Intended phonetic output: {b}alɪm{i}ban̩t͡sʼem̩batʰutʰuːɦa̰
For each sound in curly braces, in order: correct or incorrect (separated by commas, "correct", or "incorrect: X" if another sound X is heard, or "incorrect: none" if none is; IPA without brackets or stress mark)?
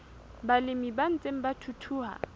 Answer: correct, correct